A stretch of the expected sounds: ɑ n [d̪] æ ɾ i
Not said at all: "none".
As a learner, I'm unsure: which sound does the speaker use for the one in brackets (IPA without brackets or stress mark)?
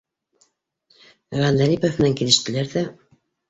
d̪